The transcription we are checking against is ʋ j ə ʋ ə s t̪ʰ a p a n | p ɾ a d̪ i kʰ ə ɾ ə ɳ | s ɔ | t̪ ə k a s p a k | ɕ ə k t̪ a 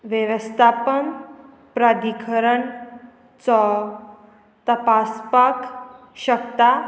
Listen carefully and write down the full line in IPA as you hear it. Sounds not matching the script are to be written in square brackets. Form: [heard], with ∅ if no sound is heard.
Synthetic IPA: ʋ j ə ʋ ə s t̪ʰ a p [ə] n | p ɾ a d̪ i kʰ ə ɾ ə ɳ | [t͡s] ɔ | t̪ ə [p] a s p a k | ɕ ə k t̪ a

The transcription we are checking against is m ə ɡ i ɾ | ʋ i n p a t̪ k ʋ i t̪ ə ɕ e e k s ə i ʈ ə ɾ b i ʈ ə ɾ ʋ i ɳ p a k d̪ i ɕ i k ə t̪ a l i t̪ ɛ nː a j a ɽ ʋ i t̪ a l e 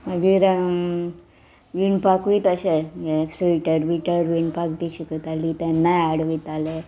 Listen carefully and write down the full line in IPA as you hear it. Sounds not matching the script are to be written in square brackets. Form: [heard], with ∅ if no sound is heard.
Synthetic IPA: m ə ɡ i ɾ | ʋ i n p a [∅] k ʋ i t̪ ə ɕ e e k s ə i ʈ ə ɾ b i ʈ ə ɾ ʋ i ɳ p a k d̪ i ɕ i k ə t̪ a l i t̪ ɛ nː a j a ɽ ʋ i t̪ a l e

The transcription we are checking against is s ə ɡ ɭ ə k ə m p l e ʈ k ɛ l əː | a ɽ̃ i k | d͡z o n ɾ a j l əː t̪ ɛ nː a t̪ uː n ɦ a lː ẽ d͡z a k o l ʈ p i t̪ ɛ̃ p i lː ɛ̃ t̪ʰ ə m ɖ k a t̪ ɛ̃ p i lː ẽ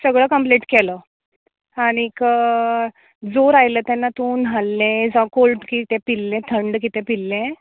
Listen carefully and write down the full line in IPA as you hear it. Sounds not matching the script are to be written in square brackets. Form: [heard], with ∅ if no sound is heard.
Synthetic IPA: s ə ɡ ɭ ə k ə m p l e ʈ k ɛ l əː | a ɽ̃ i k | d͡z o [∅] ɾ a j l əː t̪ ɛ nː a t̪ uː n ɦ a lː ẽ d͡z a k o l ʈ [k] i t̪ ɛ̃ p i lː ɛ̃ t̪ʰ ə [ɳ] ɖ k [i] t̪ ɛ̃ p i lː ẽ

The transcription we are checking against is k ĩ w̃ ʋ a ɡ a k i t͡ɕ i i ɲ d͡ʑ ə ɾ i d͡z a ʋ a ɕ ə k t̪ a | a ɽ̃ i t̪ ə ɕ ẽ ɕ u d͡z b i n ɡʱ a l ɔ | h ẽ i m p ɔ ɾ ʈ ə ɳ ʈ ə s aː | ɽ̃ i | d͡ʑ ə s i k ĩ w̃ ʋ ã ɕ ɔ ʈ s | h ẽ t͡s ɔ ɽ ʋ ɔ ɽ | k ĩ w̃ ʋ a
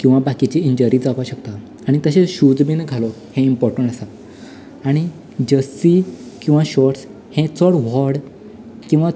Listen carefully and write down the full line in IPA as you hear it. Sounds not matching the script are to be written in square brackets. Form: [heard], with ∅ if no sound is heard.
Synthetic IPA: k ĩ w̃ ʋ a [b] a k i t͡ɕ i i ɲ d͡ʑ ə ɾ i d͡z a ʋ a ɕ ə k t̪ a | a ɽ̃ i t̪ ə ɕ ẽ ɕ u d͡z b i n ɡʱ a l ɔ | h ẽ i m p ɔ ɾ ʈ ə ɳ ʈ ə s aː | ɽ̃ i | d͡ʑ ə s i k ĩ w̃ ʋ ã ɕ ɔ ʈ s | h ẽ t͡s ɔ ɽ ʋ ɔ ɽ | k ĩ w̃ ʋ a

